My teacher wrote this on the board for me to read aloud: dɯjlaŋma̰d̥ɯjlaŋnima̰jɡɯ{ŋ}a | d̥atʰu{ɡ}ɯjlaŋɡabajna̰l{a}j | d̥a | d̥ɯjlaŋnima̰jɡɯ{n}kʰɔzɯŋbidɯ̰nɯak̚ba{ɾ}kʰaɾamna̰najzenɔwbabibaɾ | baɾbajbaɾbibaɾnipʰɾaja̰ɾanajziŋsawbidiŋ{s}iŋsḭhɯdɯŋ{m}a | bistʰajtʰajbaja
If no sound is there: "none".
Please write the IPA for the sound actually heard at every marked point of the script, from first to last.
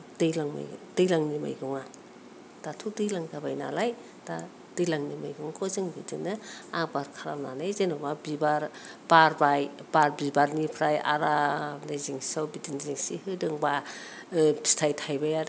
ŋ, d, a, ŋ, ɾ, z, b

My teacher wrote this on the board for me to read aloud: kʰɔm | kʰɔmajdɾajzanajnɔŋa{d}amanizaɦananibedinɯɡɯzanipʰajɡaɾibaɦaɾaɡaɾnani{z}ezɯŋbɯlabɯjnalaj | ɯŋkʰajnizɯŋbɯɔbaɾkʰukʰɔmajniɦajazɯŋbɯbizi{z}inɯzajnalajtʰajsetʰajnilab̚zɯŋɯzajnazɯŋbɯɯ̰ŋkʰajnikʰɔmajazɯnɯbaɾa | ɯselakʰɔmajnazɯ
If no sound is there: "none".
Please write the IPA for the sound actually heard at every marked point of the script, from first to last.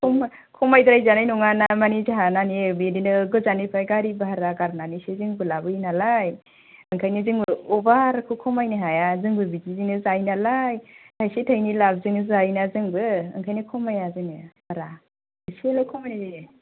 n, s, z

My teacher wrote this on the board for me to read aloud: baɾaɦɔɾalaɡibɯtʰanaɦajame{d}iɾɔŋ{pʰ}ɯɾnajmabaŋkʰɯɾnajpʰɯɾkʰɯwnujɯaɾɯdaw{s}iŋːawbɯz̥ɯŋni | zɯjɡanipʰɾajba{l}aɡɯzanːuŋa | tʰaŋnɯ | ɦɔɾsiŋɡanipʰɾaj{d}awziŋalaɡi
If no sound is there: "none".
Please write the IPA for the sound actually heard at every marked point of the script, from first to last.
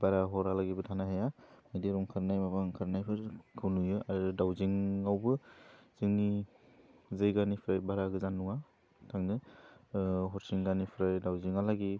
d, kʰ, z, ɾ, d

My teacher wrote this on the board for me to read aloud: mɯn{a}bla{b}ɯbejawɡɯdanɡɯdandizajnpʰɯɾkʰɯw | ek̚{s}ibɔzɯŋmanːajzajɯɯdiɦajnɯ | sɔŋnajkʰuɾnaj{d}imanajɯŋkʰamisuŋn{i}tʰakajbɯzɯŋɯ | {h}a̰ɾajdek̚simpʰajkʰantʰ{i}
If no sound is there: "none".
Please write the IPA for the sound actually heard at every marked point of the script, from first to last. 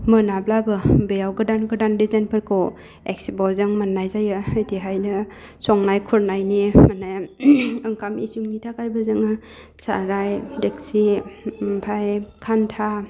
a, b, s, n, i, s, a

